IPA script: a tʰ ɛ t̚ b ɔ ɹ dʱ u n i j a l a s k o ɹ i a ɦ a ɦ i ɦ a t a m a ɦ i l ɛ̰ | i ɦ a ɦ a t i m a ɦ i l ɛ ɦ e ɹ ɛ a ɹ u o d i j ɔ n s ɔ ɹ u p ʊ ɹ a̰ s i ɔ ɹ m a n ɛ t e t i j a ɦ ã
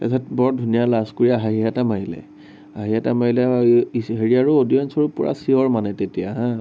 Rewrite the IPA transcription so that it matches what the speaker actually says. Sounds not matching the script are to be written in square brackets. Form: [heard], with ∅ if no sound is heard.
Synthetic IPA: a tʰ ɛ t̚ b ɔ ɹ dʱ u n i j a l a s k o ɹ i a ɦ a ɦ i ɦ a t a m a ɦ i l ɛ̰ | [a] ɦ [i] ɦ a t [a] m a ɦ i l ɛ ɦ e ɹ [i] a ɹ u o d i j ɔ n s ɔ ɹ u p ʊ ɹ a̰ s i ɔ ɹ m a n ɛ t e t i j a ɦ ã

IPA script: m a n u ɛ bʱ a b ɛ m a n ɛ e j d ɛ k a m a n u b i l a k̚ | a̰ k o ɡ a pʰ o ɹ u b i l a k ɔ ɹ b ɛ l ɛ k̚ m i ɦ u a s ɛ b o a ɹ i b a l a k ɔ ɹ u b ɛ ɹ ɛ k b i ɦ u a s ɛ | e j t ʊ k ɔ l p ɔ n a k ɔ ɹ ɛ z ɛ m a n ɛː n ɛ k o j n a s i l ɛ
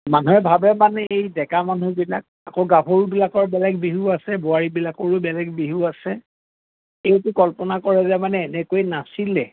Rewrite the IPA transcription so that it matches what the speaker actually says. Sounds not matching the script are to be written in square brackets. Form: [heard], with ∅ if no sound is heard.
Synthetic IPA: m a n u ɛ bʱ a b ɛ m a n ɛ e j d ɛ k a m a n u b i l a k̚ | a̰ k o ɡ a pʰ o ɹ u b i l a k ɔ ɹ b ɛ l ɛ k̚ [b] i ɦ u a s ɛ b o a ɹ i b [i] l a k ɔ ɹ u b ɛ [l] ɛ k b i ɦ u a s ɛ | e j t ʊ k ɔ l p ɔ n a k ɔ ɹ ɛ z ɛ m a n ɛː n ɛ k o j n a s i l ɛ

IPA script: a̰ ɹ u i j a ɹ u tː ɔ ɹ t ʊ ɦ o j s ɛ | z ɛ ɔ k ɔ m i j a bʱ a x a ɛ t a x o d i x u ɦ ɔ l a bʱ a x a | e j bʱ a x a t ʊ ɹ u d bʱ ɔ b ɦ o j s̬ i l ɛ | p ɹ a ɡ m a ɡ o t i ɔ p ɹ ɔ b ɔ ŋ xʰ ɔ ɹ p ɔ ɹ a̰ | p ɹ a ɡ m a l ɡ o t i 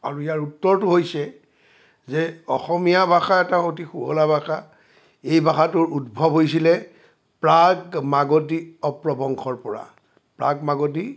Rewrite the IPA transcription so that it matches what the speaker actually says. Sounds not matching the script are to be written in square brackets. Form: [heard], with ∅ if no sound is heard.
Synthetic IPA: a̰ ɹ u i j a ɹ u tː ɔ ɹ t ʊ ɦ o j s ɛ | z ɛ ɔ [x] ɔ m i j a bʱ a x a ɛ t a x o [t] i x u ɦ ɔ l a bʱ a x a | e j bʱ a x a t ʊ ɹ u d bʱ ɔ b ɦ o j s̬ i l ɛ | p ɹ a ɡ m a ɡ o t i ɔ p ɹ ɔ b ɔ ŋ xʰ ɔ ɹ p ɔ ɹ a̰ | p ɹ a ɡ m a [∅] ɡ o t i

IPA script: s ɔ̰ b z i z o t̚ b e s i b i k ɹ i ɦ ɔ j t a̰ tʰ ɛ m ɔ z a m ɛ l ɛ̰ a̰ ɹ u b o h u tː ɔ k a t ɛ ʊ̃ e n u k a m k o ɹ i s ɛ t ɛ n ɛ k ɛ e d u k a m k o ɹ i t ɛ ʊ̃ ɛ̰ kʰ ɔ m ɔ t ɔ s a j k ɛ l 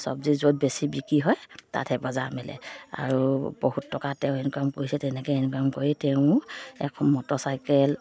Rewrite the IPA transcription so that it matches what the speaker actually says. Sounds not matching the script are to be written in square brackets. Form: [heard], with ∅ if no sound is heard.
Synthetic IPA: s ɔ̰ b z i z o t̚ b e s i b i k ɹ i ɦ ɔ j t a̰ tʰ ɛ [b] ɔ z a m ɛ l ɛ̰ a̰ ɹ u b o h u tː ɔ k a t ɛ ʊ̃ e n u k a m k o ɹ i s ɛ t ɛ n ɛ k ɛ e [n] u k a m k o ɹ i t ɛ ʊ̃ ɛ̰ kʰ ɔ m ɔ t ɔ s a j k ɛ l

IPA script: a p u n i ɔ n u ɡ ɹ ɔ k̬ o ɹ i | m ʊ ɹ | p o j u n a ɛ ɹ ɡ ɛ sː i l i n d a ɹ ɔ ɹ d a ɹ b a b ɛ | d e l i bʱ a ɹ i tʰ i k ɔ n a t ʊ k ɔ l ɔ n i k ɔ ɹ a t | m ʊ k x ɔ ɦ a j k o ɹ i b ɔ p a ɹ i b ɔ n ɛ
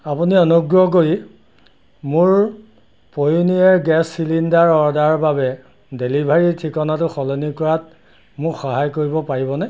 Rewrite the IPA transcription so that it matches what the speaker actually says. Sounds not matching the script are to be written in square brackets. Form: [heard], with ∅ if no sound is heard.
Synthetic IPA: a p u n i ɔ n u ɡ ɹ ɔ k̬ o ɹ i | m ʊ ɹ | p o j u n [i] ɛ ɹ ɡ ɛ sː i l i n d a ɹ ɔ ɹ d a ɹ b a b ɛ | d e l i bʱ a ɹ i tʰ i k ɔ n a t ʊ [x] ɔ l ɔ n i k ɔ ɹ a t | m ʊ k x ɔ ɦ a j k o ɹ i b ɔ p a ɹ i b ɔ n ɛ

